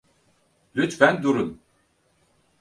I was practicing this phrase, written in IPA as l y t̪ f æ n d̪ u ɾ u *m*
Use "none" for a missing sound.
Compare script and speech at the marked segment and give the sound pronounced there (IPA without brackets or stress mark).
n